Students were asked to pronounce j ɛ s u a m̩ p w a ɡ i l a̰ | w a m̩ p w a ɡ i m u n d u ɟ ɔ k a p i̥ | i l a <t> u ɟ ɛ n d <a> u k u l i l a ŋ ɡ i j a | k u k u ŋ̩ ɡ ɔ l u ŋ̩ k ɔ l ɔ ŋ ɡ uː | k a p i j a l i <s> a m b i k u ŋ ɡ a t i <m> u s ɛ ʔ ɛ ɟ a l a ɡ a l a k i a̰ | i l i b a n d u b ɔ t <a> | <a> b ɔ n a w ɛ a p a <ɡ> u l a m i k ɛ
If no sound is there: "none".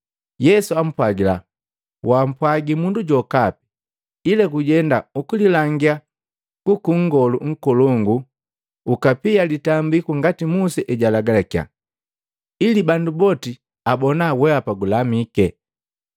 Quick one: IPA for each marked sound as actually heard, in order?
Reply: k, a, t, m, i, a, ɡ

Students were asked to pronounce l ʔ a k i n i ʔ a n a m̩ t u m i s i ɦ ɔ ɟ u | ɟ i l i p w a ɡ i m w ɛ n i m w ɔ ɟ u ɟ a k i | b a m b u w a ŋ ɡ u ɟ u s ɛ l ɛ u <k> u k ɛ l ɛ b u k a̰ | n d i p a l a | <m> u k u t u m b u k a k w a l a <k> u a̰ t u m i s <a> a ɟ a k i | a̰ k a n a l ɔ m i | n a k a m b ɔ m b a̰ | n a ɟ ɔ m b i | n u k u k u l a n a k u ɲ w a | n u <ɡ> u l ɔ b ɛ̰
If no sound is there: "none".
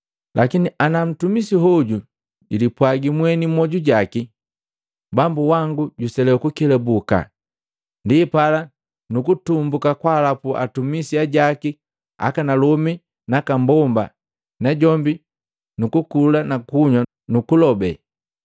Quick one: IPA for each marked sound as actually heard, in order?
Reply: k, n, p, i, k

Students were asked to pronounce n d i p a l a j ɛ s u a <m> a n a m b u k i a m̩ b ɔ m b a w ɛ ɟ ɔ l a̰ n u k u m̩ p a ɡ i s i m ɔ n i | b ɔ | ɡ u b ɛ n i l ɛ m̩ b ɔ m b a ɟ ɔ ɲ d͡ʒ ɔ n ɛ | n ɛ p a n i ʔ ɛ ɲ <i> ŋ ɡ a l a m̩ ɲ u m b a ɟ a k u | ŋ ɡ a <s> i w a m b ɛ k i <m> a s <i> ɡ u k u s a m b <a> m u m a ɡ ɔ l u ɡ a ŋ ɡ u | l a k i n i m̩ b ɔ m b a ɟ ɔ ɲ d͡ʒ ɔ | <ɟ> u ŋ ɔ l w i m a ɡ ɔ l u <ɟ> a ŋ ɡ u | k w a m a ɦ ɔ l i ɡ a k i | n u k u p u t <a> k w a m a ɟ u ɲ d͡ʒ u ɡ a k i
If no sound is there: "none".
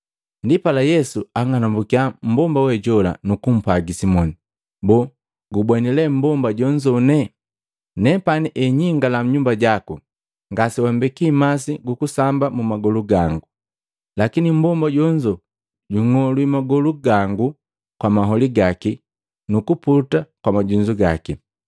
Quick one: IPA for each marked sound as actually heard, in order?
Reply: ŋ, i, s, m, i, a, ɟ, ɡ, a

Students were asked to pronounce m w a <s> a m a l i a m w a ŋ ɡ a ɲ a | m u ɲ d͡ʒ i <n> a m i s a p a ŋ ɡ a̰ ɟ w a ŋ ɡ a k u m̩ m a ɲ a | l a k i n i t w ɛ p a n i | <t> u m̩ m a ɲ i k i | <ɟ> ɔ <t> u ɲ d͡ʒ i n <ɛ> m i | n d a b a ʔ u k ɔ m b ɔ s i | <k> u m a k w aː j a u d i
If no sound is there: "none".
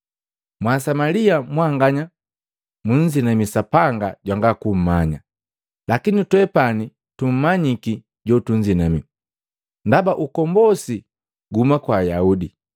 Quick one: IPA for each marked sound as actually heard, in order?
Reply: s, n, t, ɟ, t, a, ɡ

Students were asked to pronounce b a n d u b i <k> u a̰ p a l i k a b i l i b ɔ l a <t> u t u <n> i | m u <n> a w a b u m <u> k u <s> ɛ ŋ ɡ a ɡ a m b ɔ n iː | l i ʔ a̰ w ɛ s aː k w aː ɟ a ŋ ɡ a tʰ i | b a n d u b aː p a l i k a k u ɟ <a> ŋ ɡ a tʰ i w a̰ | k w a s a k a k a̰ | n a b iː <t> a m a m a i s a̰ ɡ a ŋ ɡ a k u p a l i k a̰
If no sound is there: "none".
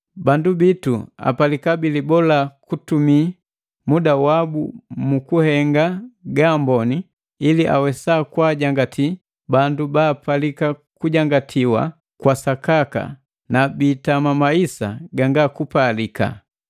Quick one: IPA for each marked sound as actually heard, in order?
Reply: t, k, m, d, u, h, a, t

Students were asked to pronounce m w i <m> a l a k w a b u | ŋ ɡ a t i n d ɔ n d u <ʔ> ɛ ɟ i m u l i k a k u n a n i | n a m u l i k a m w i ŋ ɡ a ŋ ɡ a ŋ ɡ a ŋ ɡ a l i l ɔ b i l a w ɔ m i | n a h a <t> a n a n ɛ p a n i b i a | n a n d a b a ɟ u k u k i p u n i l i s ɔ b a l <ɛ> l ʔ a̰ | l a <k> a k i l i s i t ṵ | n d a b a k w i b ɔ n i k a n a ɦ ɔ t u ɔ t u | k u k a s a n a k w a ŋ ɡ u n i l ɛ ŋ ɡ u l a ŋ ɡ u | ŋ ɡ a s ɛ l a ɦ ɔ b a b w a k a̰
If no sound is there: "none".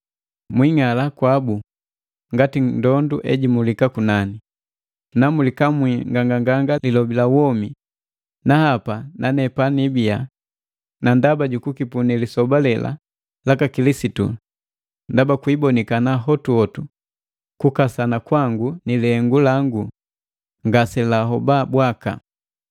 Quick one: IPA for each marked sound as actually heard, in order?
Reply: ŋ, ʔ, p, ɛ, k

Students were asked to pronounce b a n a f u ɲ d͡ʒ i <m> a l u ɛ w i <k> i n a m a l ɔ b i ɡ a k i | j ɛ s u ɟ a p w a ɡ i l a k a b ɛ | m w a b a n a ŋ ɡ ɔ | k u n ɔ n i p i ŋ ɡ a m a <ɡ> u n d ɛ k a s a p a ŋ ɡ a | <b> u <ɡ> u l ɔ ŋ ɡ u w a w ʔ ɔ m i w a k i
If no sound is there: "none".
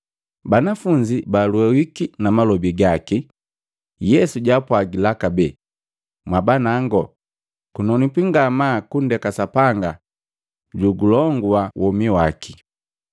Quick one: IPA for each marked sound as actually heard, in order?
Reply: b, k, k, ɟ, ɡ

